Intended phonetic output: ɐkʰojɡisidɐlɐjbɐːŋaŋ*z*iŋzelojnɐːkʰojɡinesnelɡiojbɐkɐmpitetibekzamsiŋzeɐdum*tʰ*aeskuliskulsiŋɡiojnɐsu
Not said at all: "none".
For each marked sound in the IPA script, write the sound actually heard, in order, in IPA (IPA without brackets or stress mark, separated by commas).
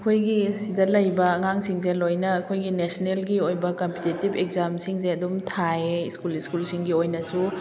s, tʰ